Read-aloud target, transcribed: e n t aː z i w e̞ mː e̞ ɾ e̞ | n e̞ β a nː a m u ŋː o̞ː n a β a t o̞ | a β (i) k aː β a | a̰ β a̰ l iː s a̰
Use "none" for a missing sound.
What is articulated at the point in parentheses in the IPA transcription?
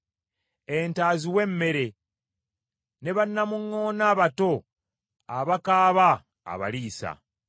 a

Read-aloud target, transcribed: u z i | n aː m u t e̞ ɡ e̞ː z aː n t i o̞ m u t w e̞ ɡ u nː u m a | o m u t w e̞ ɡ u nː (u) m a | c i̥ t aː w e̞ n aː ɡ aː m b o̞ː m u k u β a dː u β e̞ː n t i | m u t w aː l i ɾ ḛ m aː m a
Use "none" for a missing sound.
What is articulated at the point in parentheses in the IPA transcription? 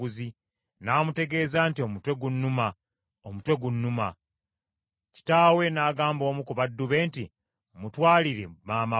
u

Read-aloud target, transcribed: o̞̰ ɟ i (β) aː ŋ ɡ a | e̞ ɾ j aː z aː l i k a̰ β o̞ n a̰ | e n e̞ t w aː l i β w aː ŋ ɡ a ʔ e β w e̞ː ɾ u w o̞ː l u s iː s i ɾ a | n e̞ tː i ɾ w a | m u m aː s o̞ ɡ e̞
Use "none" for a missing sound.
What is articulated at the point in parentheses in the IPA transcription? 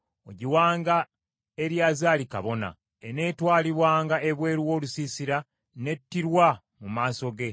w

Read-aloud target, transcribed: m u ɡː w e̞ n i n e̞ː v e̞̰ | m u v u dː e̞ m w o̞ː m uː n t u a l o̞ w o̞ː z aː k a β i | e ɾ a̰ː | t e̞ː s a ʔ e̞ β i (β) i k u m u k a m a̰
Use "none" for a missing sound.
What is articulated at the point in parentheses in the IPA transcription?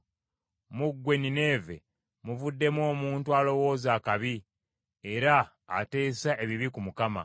β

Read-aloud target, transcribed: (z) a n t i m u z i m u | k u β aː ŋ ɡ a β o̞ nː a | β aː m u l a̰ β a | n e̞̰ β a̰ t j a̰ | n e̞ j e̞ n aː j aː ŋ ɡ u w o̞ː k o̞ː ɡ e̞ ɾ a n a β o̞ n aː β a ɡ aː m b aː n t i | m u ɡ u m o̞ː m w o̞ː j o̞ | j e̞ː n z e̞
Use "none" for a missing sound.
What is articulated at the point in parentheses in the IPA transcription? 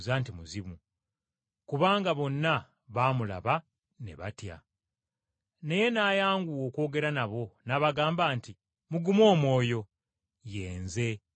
z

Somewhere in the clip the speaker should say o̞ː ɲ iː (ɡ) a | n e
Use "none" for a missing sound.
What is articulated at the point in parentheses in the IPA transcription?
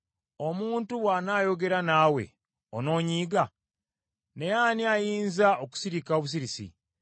ɡ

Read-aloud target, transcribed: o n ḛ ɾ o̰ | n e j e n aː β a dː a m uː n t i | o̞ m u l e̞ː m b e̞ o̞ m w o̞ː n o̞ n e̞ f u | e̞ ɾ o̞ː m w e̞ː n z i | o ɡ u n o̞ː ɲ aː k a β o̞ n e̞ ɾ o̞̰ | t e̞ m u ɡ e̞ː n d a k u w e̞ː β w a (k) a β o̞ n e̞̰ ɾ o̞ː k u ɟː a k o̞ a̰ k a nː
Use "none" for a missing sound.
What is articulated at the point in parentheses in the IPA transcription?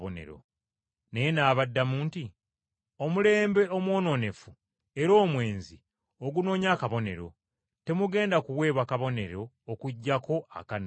k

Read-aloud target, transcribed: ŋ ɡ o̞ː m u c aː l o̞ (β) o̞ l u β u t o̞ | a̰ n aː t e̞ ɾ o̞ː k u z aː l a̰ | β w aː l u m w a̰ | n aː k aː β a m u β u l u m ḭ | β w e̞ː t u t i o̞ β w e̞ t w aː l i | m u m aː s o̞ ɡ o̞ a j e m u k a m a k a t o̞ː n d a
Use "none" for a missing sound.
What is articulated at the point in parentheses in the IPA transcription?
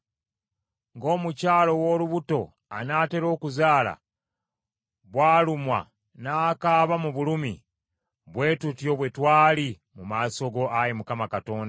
w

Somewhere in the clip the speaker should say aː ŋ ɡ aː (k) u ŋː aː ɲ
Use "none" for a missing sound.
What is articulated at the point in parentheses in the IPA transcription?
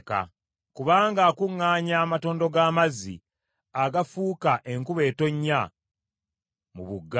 k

